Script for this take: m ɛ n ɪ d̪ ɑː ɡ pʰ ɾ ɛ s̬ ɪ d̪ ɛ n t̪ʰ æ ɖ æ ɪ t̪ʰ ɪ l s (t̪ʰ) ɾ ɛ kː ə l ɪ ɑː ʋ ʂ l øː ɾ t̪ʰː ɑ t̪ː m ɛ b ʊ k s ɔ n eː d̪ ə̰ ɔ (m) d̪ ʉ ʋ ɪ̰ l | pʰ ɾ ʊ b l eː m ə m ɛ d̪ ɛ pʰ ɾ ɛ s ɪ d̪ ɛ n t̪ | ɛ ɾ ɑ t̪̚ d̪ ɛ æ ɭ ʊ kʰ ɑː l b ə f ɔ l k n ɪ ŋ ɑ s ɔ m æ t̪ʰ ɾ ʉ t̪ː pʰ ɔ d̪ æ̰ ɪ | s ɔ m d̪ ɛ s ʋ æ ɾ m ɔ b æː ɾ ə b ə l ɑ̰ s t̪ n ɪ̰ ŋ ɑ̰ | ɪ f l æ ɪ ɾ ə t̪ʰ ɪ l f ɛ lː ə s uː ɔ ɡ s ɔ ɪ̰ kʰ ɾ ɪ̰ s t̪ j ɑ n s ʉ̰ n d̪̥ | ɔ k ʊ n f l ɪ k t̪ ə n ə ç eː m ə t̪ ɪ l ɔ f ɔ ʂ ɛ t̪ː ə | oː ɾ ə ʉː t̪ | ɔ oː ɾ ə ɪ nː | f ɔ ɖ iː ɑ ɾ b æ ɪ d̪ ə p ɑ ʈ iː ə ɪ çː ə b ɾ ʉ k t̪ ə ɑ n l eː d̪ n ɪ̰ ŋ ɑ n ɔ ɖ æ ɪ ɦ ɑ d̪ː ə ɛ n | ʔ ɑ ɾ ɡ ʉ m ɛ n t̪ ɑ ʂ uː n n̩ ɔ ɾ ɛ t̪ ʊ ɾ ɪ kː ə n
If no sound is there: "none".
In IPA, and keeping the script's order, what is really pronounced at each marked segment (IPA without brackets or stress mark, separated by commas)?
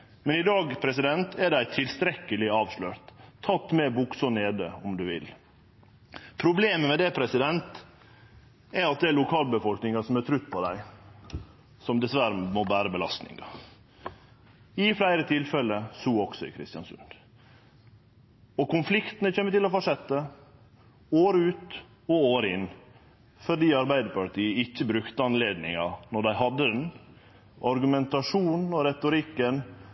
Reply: t̪, m